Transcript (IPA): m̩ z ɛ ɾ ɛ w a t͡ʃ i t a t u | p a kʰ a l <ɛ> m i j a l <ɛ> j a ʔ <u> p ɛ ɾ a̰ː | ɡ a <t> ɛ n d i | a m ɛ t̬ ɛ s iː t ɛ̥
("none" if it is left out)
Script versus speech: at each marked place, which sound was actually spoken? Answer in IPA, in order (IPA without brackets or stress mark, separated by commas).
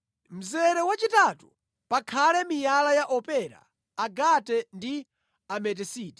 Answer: ɛ, a, ɔ, t